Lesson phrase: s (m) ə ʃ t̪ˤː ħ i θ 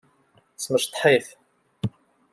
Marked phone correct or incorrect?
correct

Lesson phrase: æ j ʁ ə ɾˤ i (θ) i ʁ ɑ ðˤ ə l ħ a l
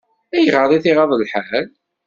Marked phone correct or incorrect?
correct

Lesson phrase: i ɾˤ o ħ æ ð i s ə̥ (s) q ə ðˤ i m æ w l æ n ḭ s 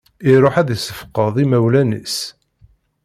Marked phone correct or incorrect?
incorrect: f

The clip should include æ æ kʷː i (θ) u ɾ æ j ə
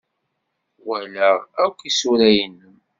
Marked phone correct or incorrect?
incorrect: s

